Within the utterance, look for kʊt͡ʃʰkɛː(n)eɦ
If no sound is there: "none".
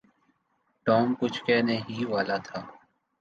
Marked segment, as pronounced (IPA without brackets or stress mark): n